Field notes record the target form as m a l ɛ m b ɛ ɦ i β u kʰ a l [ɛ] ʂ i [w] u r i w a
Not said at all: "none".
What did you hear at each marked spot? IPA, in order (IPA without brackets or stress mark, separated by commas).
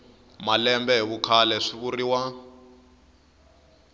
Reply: ɛ, β